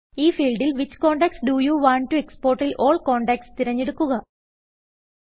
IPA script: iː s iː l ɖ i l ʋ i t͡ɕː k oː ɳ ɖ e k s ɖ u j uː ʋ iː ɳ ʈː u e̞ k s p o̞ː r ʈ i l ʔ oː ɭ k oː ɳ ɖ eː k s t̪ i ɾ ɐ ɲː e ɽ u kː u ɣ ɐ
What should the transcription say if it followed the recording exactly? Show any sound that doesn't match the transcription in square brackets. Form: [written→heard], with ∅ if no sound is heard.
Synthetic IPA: iː [s→f] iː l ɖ i l ʋ i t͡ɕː k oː ɳ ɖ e k s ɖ u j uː ʋ [iː→aː] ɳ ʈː u e̞ k s p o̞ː r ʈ i l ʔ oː ɭ k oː ɳ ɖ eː k s t̪ i ɾ ɐ ɲː e ɽ u kː u ɣ ɐ

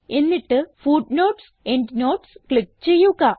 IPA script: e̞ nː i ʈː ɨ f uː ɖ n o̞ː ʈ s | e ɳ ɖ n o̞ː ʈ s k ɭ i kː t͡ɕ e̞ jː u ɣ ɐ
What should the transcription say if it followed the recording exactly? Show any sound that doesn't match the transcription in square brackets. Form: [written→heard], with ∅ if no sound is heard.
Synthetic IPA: e̞ nː i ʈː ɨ f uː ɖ n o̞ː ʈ s | e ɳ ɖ n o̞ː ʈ s k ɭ i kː t͡ɕ e̞ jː u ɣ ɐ

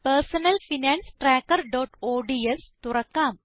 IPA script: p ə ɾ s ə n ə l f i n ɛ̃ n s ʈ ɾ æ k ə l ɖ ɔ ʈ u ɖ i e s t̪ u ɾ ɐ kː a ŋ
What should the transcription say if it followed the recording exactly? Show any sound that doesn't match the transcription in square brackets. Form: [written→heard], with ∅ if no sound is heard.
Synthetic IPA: p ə ɾ s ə n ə l f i n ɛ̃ n s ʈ ɾ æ k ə [l→ɾ] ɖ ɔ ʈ [u→o] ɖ i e s t̪ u ɾ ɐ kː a [ŋ→m]

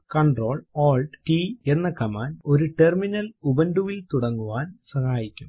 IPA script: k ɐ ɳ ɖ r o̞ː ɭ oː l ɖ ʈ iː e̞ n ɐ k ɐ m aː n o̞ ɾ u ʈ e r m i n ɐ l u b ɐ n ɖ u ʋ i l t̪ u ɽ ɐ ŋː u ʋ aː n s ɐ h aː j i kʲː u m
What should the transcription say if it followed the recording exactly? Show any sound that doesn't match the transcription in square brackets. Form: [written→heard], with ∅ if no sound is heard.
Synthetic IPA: k ɐ ɳ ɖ r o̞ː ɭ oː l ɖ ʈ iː e̞ [n→nː] ɐ k ɐ m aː n o̞ ɾ u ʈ e r m i n ɐ l u b ɐ n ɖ u ʋ i l t̪ u ɽ ɐ ŋː u ʋ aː n s ɐ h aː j i kʲː u m

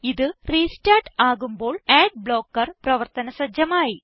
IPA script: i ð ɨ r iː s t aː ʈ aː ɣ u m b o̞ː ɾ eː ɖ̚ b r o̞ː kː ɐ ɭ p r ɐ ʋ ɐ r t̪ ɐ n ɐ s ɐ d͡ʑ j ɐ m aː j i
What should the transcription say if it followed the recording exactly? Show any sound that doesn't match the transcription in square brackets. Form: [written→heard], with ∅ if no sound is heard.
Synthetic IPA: i ð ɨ r iː s t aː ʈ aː ɣ u m b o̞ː [ɾ→ɭ] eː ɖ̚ b [r→ɭ] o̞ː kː ɐ [ɭ→r] p r ɐ ʋ ɐ r t̪ ɐ n ɐ s ɐ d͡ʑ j ɐ m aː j i

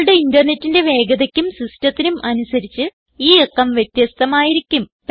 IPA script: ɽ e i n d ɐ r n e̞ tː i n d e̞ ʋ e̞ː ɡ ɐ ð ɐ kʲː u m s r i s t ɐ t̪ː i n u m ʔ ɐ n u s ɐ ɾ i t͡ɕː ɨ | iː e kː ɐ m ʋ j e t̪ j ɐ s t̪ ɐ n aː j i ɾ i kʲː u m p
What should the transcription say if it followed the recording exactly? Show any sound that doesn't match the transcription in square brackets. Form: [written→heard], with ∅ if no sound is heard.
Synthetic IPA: ɽ e i n d ɐ r n e̞ tː i n d e̞ ʋ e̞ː ɡ ɐ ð ɐ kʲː u m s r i s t ɐ t̪ː i n u m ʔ ɐ n u s ɐ ɾ i t͡ɕː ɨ | iː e kː ɐ m ʋ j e t̪ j ɐ s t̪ ɐ [n→m] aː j i ɾ i kʲː u m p

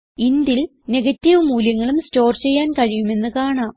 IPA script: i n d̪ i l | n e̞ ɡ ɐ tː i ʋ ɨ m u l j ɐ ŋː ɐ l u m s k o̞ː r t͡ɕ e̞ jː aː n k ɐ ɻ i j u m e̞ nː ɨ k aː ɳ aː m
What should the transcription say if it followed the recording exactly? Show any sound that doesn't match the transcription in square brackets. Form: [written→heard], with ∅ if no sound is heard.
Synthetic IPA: i n d̪ i l | n e̞ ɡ ɐ tː i ʋ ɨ m [u→uː] l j ɐ ŋː ɐ [l→ɭ] u m s [k→t] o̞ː r t͡ɕ e̞ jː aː n k ɐ ɻ i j u m e̞ nː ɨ k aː ɳ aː m

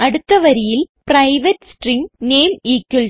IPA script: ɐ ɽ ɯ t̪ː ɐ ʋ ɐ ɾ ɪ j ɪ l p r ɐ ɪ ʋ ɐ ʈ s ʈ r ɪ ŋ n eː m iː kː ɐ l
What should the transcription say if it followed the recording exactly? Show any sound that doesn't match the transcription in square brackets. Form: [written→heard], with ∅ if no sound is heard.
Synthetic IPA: ɐ ɽ ɯ t̪ː ɐ ʋ ɐ ɾ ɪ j ɪ l p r ɐ ɪ ʋ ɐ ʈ s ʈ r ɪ ŋ n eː m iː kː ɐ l

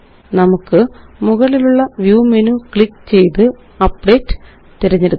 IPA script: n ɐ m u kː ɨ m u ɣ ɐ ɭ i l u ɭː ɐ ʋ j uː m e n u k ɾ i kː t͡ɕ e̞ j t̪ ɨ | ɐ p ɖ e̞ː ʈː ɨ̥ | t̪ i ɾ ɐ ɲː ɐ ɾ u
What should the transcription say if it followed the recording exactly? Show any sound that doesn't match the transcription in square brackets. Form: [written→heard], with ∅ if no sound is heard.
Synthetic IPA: n ɐ m u kː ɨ m u ɣ ɐ ɭ i l u ɭː ɐ ʋ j uː m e n u k [ɾ→ɭ] i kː t͡ɕ e̞ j t̪ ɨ | ɐ p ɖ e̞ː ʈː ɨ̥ | t̪ i ɾ ɐ ɲː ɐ ɾ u

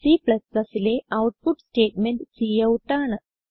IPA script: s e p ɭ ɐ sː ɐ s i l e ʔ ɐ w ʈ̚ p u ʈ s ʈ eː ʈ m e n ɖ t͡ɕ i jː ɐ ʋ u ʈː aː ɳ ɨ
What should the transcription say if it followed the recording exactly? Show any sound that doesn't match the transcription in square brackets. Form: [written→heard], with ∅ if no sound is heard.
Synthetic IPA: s [e→i] p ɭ ɐ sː ɐ s i l e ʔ ɐ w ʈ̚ p u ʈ s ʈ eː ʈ m e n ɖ t͡ɕ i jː ɐ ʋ u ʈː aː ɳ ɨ

